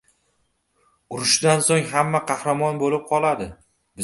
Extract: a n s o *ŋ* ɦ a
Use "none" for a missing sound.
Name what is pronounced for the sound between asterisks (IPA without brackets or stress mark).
ŋ